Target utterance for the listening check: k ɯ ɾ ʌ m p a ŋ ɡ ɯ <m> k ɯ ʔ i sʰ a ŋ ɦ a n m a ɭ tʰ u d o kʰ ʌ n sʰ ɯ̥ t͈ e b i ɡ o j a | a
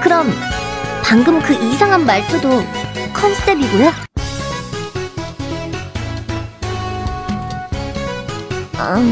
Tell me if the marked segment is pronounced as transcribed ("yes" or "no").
yes